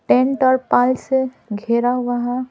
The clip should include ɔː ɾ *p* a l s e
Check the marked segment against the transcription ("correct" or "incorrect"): correct